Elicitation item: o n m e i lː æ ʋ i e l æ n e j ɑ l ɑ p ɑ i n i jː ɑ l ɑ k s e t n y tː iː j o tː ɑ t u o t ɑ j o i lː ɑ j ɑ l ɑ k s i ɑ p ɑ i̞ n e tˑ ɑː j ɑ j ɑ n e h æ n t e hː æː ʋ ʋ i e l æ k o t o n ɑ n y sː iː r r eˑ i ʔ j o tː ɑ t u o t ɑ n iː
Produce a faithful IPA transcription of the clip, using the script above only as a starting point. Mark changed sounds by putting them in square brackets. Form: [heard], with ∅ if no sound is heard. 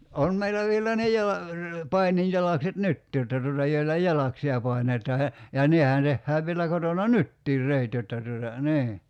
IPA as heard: o n m e i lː æ ʋ i e l æ n e j ɑ l ɑ p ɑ i n i jː ɑ l ɑ k s e t n y tː iː j o tː ɑ t u o t ɑ j o i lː ɑ j ɑ l ɑ k s i ɑ p ɑ i̞ n e tˑ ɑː j ɑ j ɑ n e h æ n t e hː æː ʋ ʋ i e l æ k o t o n ɑ n y [tː] iː r r eˑ i [t] j o tː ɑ t u o t ɑ n iː